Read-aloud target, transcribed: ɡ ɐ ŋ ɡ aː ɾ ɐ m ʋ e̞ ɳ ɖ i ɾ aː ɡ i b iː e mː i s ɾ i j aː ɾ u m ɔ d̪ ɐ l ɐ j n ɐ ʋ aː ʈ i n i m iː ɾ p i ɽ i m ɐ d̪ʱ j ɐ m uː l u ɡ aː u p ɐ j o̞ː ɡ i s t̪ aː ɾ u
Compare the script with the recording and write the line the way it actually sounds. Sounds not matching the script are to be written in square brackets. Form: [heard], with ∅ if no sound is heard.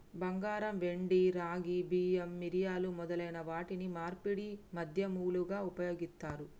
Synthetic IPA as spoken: [b] ɐ ŋ ɡ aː ɾ ɐ m ʋ e̞ ɳ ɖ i ɾ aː ɡ i b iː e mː i [∅] ɾ i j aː [l] u m ɔ d̪ ɐ l ɐ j n ɐ ʋ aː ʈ i n i m [aː] ɾ p i ɽ i m ɐ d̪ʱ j ɐ m uː l u ɡ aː u p ɐ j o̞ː ɡ i s t̪ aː ɾ u